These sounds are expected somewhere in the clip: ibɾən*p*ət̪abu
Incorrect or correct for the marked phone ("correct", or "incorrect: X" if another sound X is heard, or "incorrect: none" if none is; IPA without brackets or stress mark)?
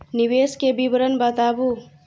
incorrect: b